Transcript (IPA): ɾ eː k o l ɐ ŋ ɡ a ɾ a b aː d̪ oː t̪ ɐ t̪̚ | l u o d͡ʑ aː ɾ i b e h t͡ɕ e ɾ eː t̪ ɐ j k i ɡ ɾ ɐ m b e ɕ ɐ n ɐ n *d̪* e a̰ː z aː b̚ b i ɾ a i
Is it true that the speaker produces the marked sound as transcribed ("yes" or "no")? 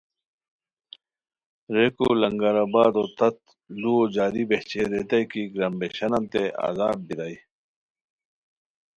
no